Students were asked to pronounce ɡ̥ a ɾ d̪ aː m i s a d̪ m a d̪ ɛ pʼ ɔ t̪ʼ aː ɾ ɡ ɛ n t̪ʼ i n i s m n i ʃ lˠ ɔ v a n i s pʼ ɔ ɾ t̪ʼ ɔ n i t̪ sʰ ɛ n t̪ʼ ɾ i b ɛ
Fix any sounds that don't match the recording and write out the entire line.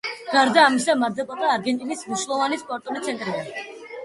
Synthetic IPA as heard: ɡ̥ a ɾ d̪ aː m i s a m a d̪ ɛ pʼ ɔ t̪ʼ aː ɾ ɡ ɛ n t̪ʼ i n i s m n i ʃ lˠ ɔ v a n i s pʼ ɔ ɾ t̪ʼ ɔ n i t̪ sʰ ɛ n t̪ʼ ɾ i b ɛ